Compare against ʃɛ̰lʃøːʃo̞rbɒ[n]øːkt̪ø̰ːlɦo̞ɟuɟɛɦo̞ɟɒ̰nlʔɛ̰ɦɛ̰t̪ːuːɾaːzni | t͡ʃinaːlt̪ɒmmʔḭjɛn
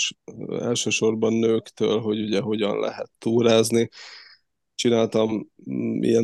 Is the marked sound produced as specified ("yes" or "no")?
no